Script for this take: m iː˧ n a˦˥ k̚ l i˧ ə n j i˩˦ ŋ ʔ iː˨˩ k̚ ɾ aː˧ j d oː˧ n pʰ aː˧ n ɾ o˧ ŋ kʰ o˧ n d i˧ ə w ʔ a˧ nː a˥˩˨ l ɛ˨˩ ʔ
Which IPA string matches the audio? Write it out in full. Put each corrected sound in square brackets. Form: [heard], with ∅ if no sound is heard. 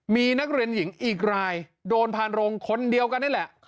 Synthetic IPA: m iː˧ n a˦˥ k̚ [ɾ] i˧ ə n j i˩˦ ŋ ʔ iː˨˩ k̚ ɾ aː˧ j d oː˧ n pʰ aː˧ n ɾ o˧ ŋ kʰ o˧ n d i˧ ə w [k] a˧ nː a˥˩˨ l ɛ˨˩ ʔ